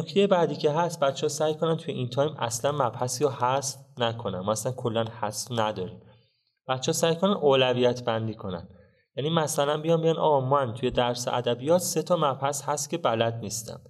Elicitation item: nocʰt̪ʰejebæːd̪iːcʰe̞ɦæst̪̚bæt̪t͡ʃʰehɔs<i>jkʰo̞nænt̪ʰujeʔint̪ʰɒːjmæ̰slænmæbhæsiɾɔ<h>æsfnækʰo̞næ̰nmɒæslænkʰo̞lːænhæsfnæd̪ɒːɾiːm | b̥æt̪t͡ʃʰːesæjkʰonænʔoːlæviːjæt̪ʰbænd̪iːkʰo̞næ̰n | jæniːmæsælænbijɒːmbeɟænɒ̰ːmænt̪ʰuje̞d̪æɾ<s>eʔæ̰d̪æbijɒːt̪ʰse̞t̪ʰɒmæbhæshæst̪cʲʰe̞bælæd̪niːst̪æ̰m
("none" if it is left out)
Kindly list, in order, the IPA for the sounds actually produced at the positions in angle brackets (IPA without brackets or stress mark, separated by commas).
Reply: æ, h, s